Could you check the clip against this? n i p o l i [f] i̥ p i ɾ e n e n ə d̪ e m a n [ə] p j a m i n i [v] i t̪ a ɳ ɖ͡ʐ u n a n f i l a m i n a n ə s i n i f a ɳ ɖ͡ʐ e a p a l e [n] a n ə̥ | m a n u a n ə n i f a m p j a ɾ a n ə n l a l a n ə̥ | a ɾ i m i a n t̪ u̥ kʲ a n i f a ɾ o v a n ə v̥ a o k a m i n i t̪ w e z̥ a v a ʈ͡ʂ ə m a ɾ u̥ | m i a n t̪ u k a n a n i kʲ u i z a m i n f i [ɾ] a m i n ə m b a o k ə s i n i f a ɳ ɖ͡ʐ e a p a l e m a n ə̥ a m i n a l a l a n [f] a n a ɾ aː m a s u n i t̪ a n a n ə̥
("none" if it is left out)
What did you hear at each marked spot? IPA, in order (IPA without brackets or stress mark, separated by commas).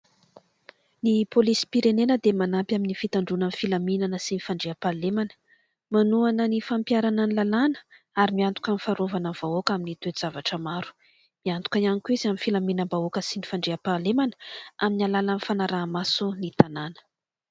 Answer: s, a, f, m, l, f